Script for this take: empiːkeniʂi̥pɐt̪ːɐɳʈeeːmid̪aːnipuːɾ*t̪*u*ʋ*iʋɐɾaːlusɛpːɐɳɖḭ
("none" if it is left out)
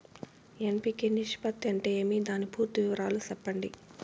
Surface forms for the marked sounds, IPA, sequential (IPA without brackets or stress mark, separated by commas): t̪, ʋ